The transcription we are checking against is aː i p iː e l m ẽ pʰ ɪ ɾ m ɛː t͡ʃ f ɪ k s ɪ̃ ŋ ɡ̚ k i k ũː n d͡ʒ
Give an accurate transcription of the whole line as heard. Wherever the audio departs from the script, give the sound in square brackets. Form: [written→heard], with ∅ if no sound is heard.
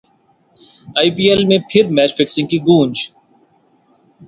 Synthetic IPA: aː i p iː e l m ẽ pʰ ɪ ɾ m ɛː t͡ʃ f ɪ k s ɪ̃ ŋ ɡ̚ k i [k→ɡ] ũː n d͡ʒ